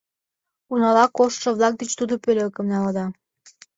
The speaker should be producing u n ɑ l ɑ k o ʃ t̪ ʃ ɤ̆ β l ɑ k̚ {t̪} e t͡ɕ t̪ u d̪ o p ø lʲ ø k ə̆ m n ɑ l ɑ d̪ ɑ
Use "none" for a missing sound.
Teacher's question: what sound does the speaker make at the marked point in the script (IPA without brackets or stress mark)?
d̪